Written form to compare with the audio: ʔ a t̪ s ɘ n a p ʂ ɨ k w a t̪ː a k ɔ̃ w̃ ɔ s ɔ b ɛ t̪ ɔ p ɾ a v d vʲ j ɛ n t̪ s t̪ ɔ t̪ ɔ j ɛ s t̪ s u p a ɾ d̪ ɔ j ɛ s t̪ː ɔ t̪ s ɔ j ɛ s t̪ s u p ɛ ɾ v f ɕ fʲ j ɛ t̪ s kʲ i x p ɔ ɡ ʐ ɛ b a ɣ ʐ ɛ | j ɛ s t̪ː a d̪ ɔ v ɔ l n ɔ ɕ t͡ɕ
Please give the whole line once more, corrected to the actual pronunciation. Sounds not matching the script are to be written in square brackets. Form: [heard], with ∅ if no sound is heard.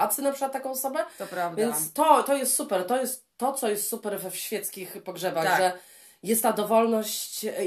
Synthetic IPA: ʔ a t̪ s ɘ n a p ʂ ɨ k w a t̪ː a k ɔ̃ w̃ ɔ s ɔ b ɛ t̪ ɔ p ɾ a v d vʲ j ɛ n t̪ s t̪ ɔ t̪ ɔ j ɛ s t̪ s u p [ɛ] ɾ [t̪] ɔ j ɛ s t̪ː ɔ t̪ s ɔ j ɛ s t̪ s u p ɛ ɾ v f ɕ fʲ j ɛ t̪ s kʲ i x p ɔ ɡ ʐ ɛ b a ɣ ʐ ɛ | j ɛ s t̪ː a d̪ ɔ v ɔ l n ɔ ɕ t͡ɕ